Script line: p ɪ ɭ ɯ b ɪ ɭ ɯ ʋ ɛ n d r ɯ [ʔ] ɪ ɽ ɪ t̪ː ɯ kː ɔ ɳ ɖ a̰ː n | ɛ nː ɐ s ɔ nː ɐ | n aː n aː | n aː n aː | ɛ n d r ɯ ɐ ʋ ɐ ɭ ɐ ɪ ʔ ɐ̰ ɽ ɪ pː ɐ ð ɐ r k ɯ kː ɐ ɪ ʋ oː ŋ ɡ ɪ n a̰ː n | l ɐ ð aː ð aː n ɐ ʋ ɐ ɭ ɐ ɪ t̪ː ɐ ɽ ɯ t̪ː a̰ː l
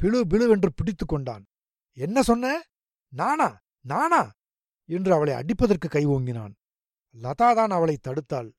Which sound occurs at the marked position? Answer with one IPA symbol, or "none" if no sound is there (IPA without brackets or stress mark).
p